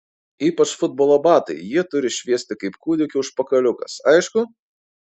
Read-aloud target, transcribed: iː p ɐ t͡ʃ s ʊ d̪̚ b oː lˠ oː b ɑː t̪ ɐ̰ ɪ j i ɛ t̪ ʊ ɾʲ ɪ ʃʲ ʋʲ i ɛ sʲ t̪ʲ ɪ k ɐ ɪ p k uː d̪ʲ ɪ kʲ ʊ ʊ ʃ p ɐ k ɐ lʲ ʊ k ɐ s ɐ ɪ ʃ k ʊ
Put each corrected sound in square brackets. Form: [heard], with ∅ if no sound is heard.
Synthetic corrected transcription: iː p ɐ t͡ʃ [f] ʊ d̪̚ b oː lˠ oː b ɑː t̪ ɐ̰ ɪ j i ɛ t̪ ʊ ɾʲ ɪ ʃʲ ʋʲ i ɛ sʲ t̪ʲ ɪ k ɐ ɪ p k uː d̪ʲ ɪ kʲ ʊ ʊ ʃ p ɐ k ɐ lʲ ʊ k ɐ s ɐ ɪ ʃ k ʊ

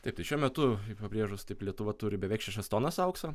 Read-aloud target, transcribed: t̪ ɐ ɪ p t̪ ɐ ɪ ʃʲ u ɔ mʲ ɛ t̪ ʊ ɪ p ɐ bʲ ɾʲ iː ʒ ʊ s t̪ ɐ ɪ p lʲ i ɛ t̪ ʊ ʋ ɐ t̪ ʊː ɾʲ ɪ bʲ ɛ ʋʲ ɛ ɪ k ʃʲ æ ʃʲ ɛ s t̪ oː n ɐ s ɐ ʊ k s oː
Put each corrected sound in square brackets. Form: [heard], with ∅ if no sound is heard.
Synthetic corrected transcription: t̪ ɐ ɪ p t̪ ɐ ɪ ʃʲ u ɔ mʲ ɛ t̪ ʊ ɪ p ɐ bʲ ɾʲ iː ʒ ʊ s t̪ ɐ ɪ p lʲ i ɛ t̪ ʊ ʋ ɐ t̪ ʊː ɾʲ ɪ bʲ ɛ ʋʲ ɛ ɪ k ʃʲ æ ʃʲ ɛ s t̪ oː n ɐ s ɐ ʊ k s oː

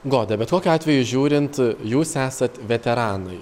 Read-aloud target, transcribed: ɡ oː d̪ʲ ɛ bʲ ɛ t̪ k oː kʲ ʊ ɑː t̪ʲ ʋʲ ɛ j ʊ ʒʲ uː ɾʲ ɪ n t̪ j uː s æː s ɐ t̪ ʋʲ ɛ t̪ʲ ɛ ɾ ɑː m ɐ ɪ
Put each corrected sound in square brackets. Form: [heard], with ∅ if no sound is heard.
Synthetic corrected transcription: ɡ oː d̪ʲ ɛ bʲ ɛ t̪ k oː kʲ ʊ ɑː t̪ʲ ʋʲ ɛ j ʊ ʒʲ uː ɾʲ ɪ n t̪ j uː s æː s ɐ t̪ ʋʲ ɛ t̪ʲ ɛ ɾ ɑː [n] ɐ ɪ

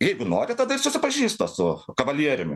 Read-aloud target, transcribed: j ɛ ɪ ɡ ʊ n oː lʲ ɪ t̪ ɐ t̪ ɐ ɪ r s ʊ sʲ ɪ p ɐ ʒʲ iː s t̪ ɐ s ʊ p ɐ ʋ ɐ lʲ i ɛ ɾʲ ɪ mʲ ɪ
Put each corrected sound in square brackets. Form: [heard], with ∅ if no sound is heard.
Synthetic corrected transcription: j ɛ ɪ ɡ ʊ n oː [ɾʲ] ɪ t̪ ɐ [d̪] ɐ ɪ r s ʊ sʲ ɪ p ɐ ʒʲ iː s t̪ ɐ s ʊ [k] ɐ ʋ ɐ lʲ i ɛ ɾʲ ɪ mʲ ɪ

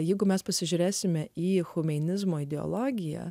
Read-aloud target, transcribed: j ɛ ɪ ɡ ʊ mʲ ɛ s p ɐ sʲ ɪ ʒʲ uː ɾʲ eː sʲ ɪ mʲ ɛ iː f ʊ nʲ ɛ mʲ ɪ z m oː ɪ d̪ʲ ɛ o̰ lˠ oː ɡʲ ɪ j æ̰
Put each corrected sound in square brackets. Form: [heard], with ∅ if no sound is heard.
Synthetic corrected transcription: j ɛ ɪ ɡ ʊ mʲ ɛ s p ɐ sʲ ɪ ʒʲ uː ɾʲ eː sʲ ɪ mʲ ɛ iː [x] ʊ [mʲ] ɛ [nʲ] ɪ z m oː ɪ d̪ʲ ɛ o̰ lˠ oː ɡʲ ɪ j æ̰

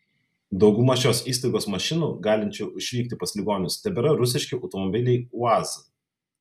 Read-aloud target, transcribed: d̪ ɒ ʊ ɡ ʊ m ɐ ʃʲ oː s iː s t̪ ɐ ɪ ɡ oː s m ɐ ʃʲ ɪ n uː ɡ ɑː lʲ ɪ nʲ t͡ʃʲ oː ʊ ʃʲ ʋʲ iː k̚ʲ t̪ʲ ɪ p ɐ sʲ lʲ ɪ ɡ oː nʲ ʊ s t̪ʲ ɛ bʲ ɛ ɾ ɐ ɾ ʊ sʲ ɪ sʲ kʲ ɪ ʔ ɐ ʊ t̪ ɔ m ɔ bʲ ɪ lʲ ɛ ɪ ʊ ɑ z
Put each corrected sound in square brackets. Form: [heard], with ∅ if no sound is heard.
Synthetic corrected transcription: d̪ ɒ ʊ ɡ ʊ m ɐ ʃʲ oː s iː s t̪ ɐ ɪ ɡ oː s m ɐ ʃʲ ɪ n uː ɡ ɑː lʲ ɪ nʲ t͡ʃʲ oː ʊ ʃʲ ʋʲ iː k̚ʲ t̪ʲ ɪ p ɐ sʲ lʲ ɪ ɡ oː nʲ ʊ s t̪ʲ ɛ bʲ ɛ ɾ ɐ ɾ ʊ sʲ ɪ [ʃʲ] kʲ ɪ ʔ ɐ ʊ t̪ ɔ m ɔ bʲ ɪ lʲ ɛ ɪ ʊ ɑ z

